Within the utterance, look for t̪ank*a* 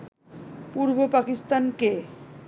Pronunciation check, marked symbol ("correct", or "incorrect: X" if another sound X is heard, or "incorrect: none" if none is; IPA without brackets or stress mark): incorrect: e